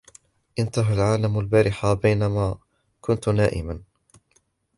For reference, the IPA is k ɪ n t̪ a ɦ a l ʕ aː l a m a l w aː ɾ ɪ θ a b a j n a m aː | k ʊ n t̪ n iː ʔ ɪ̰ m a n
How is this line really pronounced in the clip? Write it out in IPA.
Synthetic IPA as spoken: ʔ ɪ n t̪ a ɦ a l ʕ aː l a m a l b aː ɾ ɪ ħ a b a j n a m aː | k ʊ n t̪ n aː ʔ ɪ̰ m a n